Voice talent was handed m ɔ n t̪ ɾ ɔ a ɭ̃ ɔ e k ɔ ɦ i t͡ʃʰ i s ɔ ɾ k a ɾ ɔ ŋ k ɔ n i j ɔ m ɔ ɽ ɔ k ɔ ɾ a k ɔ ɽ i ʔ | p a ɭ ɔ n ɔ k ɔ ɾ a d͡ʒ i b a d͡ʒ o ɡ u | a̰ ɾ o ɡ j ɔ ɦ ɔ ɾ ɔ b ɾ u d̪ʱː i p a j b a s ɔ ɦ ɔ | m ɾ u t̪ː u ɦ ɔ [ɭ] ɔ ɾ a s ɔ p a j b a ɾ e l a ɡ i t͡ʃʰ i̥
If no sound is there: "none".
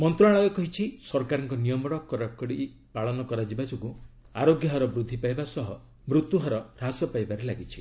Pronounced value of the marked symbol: ɾ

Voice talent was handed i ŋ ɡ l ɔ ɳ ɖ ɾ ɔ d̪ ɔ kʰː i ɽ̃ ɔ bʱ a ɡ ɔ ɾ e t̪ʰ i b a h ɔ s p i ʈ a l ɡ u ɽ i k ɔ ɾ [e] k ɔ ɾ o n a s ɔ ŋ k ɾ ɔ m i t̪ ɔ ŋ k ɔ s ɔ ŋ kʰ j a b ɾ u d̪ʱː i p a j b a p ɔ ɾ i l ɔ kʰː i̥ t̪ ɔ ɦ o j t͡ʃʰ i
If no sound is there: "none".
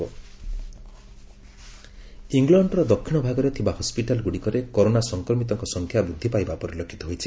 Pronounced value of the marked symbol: e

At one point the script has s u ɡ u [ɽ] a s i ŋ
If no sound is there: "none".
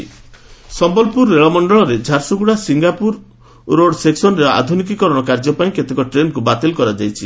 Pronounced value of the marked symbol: ɽ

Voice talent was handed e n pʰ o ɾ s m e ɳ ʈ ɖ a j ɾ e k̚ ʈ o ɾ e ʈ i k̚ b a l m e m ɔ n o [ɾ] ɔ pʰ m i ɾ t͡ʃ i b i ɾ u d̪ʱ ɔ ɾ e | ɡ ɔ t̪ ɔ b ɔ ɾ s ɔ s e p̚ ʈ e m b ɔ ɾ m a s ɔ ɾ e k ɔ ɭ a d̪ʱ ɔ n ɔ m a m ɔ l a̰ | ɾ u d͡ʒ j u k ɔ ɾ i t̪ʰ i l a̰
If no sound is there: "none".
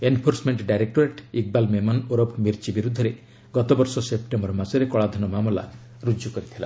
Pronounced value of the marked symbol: ɾ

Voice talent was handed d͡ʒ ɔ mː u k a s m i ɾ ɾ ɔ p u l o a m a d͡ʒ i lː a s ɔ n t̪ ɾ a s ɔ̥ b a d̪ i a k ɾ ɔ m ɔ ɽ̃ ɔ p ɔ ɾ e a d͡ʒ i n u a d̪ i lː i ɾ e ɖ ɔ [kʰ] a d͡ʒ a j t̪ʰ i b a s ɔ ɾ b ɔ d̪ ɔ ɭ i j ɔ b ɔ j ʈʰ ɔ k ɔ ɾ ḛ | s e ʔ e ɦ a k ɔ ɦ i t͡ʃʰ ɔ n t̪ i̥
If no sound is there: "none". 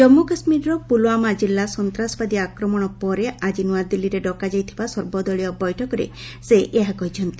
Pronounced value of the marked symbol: k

